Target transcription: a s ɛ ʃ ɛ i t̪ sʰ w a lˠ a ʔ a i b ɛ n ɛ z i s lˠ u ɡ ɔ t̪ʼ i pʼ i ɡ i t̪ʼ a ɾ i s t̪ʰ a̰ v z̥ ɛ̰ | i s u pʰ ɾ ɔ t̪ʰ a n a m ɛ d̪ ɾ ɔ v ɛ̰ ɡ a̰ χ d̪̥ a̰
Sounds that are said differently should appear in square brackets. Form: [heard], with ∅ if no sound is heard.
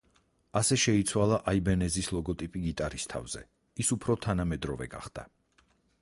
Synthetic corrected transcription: a s ɛ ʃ ɛ i t̪ sʰ w a lˠ a ʔ a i b ɛ n ɛ z i s lˠ [ɔ] ɡ ɔ t̪ʼ i pʼ i ɡ i t̪ʼ a ɾ i s t̪ʰ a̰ v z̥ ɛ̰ | i s u pʰ ɾ ɔ t̪ʰ a n a m ɛ d̪ ɾ ɔ v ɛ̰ ɡ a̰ χ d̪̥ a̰